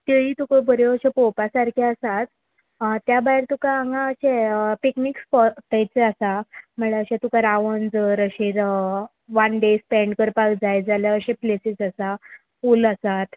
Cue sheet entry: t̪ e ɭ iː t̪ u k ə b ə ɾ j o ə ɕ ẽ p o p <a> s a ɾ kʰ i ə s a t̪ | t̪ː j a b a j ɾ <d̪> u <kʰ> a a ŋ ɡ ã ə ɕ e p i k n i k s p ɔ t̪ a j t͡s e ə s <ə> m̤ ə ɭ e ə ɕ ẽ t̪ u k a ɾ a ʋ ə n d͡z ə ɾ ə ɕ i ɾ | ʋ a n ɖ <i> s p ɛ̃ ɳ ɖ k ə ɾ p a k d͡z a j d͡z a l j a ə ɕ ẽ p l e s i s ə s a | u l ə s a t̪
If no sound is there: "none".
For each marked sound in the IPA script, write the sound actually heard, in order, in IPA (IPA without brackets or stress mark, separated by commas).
a, t̪, k, a, e